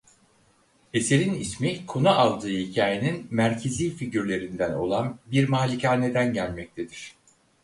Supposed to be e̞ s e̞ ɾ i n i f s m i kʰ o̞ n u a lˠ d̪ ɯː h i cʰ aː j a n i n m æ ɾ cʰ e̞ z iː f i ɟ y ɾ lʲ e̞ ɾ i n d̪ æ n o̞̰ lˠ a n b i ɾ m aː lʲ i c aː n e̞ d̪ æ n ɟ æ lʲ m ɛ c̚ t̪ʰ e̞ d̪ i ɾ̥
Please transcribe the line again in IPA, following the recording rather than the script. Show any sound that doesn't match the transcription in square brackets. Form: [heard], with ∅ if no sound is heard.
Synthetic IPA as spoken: e̞ s e̞ ɾ i n i [∅] s m i kʰ o̞ n u a lˠ d̪ ɯː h i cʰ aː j [e] n i n m æ ɾ cʰ e̞ z iː f i ɟ y ɾ lʲ e̞ ɾ i n d̪ æ n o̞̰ lˠ a n b i ɾ m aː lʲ i c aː n e̞ d̪ æ n ɟ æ lʲ m ɛ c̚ t̪ʰ e̞ d̪ i ɾ̥